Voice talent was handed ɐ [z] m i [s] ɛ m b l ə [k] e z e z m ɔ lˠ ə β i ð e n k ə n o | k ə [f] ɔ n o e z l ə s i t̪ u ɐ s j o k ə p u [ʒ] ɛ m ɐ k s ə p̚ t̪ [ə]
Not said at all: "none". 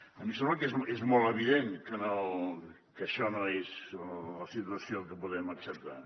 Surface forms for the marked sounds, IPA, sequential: none, s, k, ʃ, ð, a

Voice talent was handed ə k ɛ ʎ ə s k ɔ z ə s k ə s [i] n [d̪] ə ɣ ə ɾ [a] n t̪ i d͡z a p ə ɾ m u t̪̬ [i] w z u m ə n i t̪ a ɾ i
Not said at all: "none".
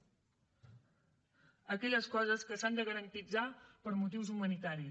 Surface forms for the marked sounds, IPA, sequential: a, d̪, ə, i

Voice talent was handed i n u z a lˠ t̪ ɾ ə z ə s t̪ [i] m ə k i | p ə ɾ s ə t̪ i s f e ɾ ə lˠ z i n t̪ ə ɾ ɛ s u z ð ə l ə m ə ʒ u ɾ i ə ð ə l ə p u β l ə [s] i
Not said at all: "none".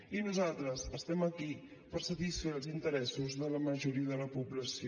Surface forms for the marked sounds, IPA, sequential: ɛ, s

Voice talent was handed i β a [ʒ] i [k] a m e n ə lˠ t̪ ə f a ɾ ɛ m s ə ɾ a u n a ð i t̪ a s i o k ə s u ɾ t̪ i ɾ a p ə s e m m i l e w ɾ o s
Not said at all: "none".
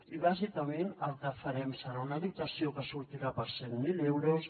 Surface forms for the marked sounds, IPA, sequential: z, k

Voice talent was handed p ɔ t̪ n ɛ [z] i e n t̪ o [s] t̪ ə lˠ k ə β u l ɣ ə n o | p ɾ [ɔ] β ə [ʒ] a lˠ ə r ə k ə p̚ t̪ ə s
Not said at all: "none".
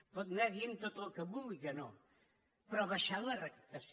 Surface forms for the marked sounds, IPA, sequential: ð, none, ɔ, ʃ

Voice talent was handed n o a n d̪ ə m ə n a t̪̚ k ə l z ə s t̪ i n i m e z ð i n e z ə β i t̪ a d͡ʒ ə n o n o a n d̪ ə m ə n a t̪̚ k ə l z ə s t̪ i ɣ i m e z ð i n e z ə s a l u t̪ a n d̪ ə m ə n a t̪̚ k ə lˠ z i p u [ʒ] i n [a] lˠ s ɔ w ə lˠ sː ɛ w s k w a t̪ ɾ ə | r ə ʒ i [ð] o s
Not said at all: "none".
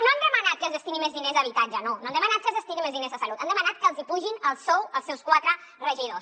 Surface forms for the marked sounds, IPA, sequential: ʒ, ə, ð

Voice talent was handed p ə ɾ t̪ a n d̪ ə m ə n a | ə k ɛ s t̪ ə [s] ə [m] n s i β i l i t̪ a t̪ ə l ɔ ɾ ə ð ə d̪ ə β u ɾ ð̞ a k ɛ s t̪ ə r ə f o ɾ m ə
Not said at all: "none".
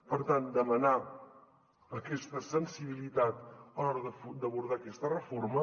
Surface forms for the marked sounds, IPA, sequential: s, none

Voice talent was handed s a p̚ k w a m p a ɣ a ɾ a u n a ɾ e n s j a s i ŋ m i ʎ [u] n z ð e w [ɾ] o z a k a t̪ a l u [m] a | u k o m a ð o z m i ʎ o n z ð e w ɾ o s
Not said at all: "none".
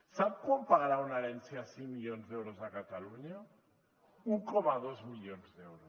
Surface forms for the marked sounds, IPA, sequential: o, ɾ, ɲ

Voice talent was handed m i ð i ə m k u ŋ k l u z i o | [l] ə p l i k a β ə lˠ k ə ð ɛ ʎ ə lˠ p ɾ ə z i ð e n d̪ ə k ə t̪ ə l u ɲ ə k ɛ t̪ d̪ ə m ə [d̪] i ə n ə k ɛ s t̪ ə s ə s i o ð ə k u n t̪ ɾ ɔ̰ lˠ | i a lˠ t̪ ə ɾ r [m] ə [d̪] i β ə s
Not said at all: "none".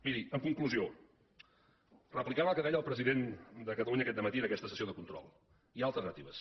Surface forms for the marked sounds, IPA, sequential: r, t̪, n, t̪

